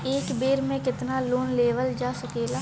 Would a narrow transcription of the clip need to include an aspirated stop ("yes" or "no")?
no